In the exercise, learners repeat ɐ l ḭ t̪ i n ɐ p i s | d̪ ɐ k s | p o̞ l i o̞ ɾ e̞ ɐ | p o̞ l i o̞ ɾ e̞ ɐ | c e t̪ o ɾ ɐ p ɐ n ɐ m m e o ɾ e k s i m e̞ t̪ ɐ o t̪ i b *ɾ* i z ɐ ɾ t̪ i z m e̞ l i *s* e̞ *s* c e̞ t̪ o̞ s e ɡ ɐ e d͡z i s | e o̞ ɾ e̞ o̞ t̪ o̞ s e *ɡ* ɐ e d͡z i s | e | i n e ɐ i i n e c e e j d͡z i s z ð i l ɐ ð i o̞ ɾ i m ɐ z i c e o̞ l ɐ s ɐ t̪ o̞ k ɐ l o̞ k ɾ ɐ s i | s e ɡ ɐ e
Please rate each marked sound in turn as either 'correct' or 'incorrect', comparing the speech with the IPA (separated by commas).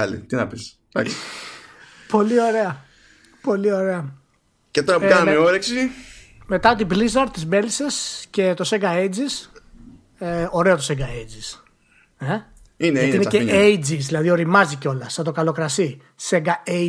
incorrect, correct, correct, correct